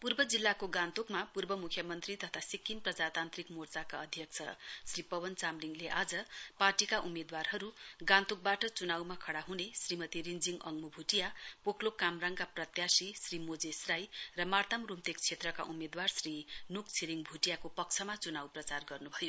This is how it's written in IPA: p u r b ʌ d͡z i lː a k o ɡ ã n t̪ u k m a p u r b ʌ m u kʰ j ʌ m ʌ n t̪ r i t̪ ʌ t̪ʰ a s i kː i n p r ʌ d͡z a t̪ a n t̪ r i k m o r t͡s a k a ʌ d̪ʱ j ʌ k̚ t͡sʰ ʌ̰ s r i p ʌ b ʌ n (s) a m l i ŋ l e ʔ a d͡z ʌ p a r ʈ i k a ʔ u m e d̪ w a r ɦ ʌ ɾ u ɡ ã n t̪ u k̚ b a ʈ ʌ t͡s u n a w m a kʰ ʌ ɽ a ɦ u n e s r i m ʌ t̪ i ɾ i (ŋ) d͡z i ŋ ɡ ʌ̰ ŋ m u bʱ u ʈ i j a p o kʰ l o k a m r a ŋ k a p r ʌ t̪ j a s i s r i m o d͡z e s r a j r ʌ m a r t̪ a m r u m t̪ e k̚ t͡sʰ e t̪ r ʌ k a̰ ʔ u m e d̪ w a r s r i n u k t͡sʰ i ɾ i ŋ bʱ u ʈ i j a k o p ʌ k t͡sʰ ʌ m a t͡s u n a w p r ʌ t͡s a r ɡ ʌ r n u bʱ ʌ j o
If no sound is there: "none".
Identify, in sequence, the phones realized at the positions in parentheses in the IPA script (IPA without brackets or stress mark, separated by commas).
t͡s, n